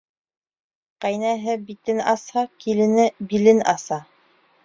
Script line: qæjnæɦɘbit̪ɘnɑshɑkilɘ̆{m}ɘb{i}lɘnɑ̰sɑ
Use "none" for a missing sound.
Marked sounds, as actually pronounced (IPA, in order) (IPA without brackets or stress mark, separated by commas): n, i